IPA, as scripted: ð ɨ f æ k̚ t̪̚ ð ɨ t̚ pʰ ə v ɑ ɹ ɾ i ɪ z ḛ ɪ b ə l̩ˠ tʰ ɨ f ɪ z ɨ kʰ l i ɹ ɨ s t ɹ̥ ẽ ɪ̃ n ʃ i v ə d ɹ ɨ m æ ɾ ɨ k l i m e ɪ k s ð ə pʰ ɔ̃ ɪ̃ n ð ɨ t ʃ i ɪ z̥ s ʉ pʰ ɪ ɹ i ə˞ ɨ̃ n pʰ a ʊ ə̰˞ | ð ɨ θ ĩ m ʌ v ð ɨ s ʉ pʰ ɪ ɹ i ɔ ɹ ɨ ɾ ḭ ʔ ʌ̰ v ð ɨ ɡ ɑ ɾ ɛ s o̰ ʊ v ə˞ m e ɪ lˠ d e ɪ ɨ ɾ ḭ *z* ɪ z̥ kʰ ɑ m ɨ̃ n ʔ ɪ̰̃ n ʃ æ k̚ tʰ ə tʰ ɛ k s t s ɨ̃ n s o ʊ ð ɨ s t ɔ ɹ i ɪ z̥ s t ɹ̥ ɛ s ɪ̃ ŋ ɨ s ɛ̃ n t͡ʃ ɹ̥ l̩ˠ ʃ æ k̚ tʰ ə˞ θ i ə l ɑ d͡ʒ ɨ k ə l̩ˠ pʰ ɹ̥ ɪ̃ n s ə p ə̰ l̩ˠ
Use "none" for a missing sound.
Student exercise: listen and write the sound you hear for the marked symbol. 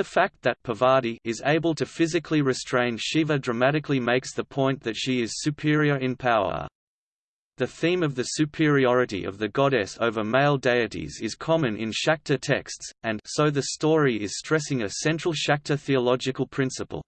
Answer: z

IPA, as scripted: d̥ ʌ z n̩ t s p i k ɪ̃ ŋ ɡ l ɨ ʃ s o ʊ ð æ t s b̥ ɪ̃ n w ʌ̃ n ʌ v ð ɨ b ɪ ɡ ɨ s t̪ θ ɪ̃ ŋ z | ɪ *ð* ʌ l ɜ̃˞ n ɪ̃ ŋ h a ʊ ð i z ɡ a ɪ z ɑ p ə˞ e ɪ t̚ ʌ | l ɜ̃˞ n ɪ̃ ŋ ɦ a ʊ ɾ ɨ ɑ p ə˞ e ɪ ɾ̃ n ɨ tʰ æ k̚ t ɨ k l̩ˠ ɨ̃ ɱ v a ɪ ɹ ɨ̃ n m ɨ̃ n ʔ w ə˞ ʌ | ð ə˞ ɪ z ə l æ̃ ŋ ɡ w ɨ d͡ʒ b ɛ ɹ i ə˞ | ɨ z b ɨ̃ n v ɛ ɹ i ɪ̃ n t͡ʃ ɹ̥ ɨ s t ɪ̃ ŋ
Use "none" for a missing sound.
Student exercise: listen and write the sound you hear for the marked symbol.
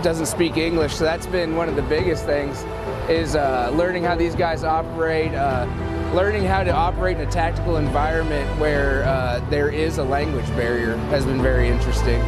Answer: z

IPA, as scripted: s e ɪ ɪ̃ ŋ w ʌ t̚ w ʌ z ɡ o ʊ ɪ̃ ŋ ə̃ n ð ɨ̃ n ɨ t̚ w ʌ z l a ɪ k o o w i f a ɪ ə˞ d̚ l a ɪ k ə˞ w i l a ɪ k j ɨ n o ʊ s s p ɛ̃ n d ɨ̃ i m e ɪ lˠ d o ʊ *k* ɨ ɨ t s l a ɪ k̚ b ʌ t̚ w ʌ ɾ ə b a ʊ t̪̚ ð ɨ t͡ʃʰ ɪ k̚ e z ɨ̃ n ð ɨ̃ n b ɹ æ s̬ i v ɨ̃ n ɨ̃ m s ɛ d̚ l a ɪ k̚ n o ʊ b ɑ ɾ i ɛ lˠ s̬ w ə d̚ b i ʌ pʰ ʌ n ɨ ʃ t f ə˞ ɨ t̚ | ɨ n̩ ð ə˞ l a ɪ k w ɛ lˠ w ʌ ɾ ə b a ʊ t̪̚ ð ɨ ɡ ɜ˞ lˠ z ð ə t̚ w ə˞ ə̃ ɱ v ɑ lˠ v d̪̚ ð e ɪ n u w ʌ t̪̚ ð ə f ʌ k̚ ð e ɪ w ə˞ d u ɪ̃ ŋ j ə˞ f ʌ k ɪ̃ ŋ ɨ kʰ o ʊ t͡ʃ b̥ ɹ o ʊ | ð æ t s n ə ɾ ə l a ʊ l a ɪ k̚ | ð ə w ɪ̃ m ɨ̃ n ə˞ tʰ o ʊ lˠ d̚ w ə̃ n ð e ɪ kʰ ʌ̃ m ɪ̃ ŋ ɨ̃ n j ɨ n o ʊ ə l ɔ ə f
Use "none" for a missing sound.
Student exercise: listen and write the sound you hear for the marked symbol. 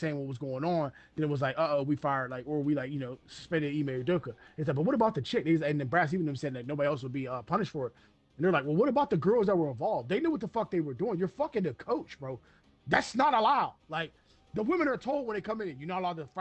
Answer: k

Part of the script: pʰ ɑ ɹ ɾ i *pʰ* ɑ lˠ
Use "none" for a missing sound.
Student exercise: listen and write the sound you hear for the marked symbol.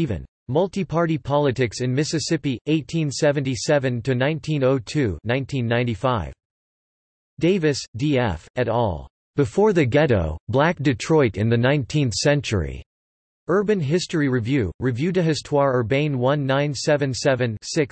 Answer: pʰ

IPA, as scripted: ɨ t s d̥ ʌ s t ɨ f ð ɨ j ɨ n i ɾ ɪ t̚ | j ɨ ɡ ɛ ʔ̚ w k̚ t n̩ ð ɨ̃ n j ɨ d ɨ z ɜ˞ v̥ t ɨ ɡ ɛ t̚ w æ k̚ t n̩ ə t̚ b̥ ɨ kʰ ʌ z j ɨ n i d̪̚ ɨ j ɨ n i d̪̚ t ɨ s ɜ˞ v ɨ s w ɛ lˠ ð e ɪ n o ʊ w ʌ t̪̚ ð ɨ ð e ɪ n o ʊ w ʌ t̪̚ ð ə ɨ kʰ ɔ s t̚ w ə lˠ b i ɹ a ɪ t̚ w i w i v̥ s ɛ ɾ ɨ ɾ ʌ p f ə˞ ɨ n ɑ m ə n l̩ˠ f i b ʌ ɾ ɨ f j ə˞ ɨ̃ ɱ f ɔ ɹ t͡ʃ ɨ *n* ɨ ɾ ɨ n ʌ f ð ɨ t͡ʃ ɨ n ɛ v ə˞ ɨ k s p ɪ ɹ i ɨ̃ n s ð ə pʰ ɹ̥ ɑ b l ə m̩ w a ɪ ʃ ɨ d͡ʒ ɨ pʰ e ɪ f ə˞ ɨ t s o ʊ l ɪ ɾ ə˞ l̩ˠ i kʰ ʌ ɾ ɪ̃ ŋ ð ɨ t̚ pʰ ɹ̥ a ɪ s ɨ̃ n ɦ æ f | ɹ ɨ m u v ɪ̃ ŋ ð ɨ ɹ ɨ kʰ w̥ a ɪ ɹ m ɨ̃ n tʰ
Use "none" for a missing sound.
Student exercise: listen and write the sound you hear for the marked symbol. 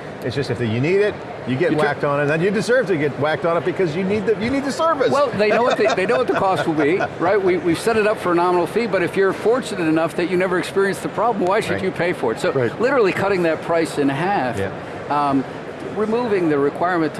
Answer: n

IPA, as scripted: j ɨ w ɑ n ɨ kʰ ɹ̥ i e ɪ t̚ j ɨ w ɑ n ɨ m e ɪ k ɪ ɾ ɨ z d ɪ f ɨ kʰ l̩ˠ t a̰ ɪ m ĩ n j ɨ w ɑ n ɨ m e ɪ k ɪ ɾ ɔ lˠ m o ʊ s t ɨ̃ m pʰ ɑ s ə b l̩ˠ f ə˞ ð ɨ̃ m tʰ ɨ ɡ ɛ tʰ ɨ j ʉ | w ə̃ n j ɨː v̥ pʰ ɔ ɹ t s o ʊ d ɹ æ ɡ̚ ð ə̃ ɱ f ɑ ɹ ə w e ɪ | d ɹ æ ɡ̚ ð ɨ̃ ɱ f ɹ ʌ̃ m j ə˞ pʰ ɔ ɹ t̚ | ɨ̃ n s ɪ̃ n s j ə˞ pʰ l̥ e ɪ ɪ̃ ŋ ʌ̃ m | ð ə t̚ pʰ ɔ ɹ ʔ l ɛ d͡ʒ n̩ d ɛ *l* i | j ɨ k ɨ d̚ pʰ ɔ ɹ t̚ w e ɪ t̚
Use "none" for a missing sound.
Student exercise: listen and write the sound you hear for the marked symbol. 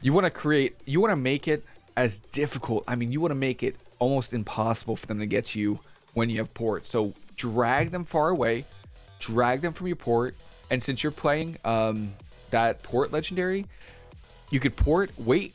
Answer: ɹ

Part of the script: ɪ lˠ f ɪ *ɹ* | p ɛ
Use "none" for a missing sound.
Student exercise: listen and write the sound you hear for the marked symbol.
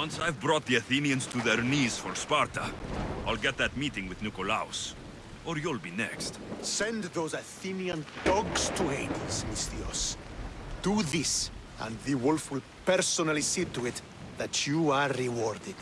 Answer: l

